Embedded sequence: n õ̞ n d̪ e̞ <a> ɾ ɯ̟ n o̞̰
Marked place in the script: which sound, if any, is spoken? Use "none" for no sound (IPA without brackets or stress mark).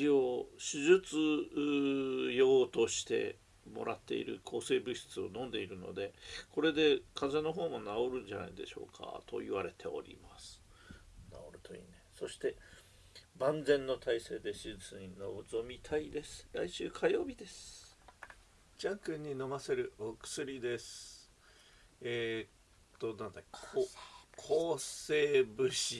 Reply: i